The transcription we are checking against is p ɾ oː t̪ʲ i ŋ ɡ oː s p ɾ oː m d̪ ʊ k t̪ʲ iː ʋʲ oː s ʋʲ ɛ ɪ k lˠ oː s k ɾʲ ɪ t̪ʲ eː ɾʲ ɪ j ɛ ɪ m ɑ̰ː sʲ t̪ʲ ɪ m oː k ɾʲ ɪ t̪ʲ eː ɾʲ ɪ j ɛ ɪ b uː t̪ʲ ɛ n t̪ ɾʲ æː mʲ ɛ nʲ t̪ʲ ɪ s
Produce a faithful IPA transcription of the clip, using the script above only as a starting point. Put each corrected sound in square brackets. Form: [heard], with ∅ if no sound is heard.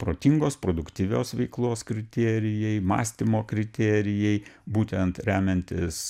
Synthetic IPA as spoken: p ɾ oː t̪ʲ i ŋ ɡ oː s p ɾ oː [∅] d̪ ʊ k t̪ʲ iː ʋʲ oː s ʋʲ ɛ ɪ k lˠ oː s k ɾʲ ɪ t̪ʲ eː ɾʲ ɪ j ɛ ɪ m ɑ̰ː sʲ t̪ʲ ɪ m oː k ɾʲ ɪ t̪ʲ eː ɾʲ ɪ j ɛ ɪ b uː t̪ʲ ɛ n t̪ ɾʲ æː mʲ ɛ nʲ t̪ʲ ɪ s